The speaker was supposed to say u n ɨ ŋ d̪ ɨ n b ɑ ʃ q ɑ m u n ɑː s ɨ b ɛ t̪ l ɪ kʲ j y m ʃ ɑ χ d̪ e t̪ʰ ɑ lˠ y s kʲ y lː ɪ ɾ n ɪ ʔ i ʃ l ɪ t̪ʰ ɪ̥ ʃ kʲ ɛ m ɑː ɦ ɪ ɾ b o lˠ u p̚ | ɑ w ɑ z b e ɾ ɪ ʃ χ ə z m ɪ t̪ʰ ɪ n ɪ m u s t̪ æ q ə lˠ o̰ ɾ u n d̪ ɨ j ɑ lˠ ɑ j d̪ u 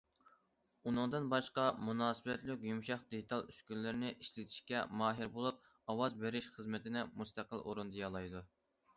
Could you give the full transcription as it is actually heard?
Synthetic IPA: u n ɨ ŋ d̪ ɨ n b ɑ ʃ q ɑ m u n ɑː s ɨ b ɛ t̪ l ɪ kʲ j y m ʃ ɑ χ d̪ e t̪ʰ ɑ lˠ y s kʲ y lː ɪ ɾ n ɪ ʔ i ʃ l ɪ t̪ʰ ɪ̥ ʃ kʲ ɛ m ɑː ɦ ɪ ɾ b o lˠ u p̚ | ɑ w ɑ z b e ɾ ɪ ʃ χ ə z m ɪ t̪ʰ ɪ n ɪ m u s t̪ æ q ə lˠ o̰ ɾ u n d̪ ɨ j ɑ lˠ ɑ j d̪ u